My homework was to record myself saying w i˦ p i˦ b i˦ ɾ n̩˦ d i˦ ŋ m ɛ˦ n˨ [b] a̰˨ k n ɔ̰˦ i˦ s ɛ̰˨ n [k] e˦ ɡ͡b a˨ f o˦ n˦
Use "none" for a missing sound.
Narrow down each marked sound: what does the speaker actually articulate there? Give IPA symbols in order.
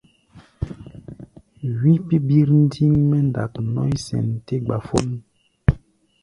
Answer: d, t

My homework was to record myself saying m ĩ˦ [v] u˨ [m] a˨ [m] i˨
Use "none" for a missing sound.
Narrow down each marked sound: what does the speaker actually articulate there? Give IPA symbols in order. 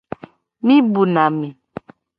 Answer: b, n, m

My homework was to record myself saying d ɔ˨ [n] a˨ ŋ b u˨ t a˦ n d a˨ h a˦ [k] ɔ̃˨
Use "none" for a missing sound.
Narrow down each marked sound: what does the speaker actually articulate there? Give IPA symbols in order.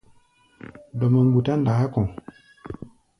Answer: m, k

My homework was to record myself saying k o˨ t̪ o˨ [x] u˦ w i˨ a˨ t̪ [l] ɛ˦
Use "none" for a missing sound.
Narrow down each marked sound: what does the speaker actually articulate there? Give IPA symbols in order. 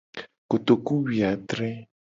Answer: k, ɾ

